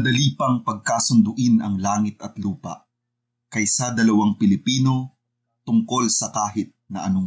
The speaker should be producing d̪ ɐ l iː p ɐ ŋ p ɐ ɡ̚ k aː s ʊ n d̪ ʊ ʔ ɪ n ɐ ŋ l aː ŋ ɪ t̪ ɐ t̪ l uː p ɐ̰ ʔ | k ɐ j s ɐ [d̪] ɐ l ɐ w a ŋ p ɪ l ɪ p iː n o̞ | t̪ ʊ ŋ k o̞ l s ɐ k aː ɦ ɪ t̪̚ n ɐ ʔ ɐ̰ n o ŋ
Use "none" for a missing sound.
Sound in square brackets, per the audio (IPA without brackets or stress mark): d̪